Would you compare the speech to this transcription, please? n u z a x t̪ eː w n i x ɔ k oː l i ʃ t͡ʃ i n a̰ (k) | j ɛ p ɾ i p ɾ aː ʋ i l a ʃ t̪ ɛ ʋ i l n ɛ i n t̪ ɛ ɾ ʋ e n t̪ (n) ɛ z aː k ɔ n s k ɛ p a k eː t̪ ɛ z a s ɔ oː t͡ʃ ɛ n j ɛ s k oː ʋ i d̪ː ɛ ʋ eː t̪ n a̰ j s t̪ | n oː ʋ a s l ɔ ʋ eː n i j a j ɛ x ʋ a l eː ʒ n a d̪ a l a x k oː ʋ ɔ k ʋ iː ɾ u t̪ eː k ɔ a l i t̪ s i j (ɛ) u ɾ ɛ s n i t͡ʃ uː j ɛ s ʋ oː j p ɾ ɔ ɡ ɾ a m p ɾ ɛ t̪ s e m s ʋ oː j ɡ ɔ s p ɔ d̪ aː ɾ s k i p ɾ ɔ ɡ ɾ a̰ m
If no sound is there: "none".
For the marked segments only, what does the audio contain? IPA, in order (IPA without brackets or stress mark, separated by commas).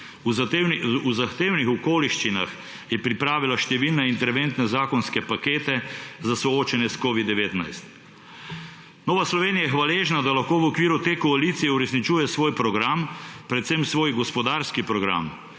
x, n, ɛ